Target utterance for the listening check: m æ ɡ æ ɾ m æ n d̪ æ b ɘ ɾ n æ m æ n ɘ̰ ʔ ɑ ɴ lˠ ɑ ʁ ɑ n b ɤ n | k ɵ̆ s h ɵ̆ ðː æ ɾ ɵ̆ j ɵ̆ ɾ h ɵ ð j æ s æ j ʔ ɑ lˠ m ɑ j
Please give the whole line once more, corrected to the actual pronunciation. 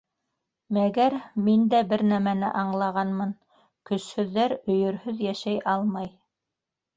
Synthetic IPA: m æ ɡ æ ɾ m i n d̪ æ b ɘ ɾ n æ m æ n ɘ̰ ʔ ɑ ɴ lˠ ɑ ʁ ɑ n m ɤ n | k ɵ̆ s h ɵ̆ ðː æ ɾ ɵ̆ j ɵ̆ ɾ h ɵ ð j æ ʃ æ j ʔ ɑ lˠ m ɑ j